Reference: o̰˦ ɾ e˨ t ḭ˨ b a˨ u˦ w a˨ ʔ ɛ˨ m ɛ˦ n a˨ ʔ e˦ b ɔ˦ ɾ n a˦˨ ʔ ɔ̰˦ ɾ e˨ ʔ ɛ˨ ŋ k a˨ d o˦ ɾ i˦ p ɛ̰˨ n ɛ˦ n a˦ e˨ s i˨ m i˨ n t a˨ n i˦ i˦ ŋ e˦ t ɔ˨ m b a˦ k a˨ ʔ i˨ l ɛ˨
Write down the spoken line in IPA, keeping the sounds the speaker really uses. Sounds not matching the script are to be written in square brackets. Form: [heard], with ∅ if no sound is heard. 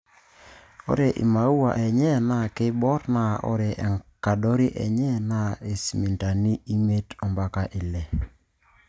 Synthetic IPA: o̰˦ ɾ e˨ [ʔ] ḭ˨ [m] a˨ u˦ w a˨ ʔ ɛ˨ [ɲ] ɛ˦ n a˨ [k] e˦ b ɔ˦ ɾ n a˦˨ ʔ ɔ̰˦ ɾ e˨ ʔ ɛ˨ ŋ k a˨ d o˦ ɾ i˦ [ʔ] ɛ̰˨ [ɲ] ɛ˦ n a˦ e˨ s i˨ m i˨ n t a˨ n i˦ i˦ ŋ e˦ t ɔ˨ m b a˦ k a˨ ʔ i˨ l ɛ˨